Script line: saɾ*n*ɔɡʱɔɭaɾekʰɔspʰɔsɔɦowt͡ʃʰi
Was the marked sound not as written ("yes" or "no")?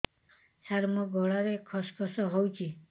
yes